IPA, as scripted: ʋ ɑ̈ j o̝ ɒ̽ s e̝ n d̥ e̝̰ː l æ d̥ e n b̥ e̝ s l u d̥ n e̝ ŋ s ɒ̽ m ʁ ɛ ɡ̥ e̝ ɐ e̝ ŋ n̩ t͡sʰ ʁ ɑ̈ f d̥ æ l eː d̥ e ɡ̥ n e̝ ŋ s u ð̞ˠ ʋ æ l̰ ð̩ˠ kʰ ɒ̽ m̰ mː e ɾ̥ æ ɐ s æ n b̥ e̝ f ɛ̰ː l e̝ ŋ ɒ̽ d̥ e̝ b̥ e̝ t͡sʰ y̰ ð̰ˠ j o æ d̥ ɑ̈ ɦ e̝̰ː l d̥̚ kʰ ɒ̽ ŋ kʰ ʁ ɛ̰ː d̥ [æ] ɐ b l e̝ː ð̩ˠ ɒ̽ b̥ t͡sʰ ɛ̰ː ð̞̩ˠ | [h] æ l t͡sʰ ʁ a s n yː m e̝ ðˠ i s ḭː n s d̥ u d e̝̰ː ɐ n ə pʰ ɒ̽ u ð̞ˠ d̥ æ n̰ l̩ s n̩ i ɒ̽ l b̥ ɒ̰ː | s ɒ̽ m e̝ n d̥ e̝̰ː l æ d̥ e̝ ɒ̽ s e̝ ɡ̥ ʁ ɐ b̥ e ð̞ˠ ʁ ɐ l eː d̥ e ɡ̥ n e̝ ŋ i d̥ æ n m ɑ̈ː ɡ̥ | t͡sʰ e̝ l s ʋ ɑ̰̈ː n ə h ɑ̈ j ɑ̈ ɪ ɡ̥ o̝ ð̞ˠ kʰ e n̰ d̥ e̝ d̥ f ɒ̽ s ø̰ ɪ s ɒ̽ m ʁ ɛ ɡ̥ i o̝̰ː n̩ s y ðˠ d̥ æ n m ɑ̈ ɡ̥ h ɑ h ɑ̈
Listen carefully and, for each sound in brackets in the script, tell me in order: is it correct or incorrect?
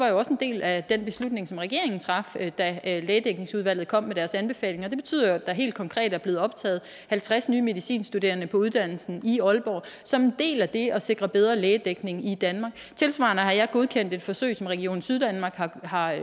correct, correct

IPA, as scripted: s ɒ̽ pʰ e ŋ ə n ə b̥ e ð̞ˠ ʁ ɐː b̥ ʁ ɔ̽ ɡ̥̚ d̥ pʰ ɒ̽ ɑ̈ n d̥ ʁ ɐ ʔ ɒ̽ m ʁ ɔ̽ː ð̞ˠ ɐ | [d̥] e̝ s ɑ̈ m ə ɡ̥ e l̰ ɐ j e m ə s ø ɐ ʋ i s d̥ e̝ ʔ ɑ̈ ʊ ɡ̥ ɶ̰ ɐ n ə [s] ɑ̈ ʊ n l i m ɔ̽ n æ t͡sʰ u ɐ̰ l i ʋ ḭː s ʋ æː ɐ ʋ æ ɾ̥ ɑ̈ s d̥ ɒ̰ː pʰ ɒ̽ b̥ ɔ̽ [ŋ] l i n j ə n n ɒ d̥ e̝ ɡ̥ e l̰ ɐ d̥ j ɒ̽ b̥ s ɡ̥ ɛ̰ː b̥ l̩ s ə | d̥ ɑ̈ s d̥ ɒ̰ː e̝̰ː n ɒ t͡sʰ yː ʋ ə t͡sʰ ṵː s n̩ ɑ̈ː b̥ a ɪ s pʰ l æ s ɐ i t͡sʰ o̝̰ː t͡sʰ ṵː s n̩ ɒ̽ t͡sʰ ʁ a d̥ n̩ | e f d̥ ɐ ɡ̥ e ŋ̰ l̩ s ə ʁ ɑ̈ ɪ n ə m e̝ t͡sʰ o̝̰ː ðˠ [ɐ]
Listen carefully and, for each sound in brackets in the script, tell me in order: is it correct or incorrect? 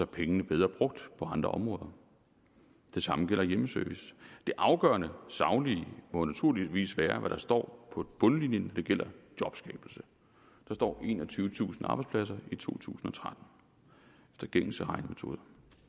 correct, correct, incorrect: n, correct

